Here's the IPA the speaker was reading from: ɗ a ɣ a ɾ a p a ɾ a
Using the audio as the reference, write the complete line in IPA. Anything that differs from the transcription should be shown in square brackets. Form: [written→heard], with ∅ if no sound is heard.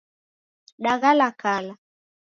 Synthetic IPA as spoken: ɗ a ɣ a [ɾ→l] a [p→k] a [ɾ→l] a

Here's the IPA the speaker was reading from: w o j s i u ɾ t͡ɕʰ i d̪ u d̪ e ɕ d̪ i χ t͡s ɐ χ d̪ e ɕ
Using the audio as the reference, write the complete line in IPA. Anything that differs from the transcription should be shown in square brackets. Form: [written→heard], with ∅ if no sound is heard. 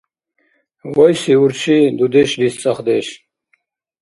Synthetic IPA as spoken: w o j s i u ɾ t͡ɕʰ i d̪ u d̪ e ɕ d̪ i [χ→s] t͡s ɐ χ d̪ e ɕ

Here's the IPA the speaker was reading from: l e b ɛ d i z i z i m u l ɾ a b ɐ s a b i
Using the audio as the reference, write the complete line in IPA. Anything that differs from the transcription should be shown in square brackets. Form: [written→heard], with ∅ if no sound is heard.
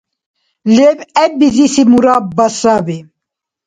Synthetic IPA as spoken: l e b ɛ [d→b] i z i [z→s] i m u [l→∅] ɾ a b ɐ s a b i

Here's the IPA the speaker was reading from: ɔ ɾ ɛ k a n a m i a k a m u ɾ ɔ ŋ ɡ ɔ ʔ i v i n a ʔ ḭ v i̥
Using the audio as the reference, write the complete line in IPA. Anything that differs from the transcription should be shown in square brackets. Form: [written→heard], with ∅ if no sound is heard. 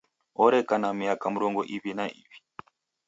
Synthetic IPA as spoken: ɔ ɾ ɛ k a n a m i a k a m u ɾ ɔ ŋ ɡ ɔ ʔ i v i n a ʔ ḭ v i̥

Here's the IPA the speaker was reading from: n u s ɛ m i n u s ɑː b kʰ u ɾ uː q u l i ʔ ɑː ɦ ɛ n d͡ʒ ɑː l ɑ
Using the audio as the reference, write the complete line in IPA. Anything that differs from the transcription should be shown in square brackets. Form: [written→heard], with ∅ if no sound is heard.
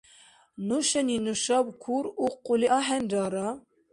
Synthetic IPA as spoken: n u [s→ʃ] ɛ [m→n] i n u [s→ʃ] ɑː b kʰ u ɾ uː q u l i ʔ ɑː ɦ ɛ n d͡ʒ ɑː [l→ɾ] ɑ

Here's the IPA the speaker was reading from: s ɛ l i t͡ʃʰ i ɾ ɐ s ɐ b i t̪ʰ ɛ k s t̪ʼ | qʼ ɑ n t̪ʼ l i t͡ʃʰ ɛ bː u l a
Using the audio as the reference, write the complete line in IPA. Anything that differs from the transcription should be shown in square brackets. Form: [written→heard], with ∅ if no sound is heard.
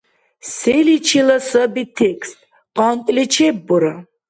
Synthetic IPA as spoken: s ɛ l i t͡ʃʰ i [ɾ→l] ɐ s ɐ b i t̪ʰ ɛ k s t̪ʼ | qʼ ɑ n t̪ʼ l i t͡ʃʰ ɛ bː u [l→ɾ] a

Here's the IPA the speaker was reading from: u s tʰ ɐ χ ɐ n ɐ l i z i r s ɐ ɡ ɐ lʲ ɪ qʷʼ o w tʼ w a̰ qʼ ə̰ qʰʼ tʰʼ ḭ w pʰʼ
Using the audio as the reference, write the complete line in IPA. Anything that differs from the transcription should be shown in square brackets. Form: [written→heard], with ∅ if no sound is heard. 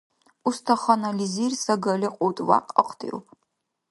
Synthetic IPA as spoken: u s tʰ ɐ χ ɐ n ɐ l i z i r s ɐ ɡ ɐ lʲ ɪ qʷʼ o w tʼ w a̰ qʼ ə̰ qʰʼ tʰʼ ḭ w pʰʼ

